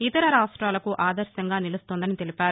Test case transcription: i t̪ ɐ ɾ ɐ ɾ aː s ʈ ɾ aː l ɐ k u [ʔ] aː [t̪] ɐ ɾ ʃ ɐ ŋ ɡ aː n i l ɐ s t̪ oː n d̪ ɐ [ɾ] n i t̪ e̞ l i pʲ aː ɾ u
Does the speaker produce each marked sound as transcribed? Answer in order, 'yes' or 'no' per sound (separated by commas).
yes, no, no